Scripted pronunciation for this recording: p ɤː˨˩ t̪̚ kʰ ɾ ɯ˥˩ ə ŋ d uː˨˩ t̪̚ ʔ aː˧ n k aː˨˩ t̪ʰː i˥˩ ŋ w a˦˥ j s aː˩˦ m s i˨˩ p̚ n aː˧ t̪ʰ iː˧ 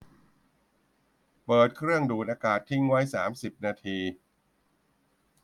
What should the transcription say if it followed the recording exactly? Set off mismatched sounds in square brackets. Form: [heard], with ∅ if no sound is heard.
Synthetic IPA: p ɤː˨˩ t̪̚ kʰ ɾ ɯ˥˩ ə ŋ d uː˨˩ t̪̚ ʔ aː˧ [∅] k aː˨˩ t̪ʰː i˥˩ ŋ w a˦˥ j s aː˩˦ m s i˨˩ p̚ n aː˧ t̪ʰ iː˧

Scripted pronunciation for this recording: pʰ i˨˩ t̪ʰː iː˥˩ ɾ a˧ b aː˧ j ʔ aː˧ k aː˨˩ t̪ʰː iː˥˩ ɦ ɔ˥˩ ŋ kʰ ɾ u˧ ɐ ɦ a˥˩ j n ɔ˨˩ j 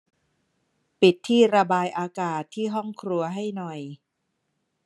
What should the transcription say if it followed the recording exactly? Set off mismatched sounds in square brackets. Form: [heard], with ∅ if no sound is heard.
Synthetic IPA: [p] i˨˩ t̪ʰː iː˥˩ ɾ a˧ b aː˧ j ʔ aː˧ k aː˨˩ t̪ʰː iː˥˩ ɦ ɔ˥˩ ŋ kʰ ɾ u˧ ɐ ɦ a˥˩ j n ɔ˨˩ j

